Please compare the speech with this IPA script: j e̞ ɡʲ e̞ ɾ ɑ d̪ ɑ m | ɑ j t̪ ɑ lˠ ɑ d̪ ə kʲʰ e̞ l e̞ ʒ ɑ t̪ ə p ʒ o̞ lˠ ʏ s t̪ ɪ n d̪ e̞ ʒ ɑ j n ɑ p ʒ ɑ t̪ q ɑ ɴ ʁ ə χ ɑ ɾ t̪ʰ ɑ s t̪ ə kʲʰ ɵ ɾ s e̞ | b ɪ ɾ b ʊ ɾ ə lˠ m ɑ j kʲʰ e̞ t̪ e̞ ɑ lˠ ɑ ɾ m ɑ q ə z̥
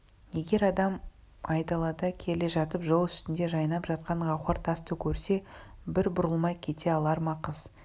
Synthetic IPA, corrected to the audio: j e̞ ɡʲ e̞ ɾ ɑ d̪ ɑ m | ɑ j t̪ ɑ lˠ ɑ d̪ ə kʲʰ e̞ l e̞ ʒ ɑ t̪ ə p ʒ o̞ lˠ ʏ s t̪ ɪ n d̪ e̞ ʒ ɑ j n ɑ p ʒ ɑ t̪ q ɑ ɴ ʁ ɑ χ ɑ ɾ t̪ʰ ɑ s t̪ ə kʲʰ ɵ ɾ s e̞ | b ɪ ɾ b ʊ ɾ ə lˠ m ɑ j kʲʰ e̞ t̪ e̞ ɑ lˠ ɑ ɾ m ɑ q ə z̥